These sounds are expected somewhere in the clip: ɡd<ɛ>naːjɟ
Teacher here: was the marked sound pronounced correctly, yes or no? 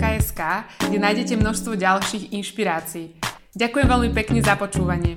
yes